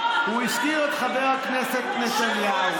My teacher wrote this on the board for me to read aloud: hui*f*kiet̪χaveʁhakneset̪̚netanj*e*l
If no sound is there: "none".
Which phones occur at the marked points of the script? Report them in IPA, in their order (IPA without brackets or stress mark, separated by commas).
ʃ, a